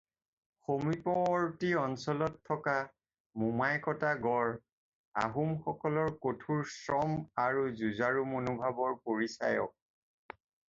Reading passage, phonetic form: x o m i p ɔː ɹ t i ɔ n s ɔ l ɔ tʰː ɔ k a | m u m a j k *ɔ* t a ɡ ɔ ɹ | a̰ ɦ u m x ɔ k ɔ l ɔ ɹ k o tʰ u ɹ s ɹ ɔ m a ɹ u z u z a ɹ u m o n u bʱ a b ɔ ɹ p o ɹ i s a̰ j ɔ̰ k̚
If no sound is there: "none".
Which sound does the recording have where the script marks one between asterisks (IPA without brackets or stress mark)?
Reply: ɔ